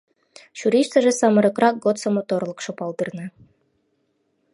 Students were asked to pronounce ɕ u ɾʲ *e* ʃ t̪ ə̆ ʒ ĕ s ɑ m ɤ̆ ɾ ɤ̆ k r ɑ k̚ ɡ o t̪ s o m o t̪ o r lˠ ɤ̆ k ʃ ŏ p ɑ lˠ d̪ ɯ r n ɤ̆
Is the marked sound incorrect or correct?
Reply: incorrect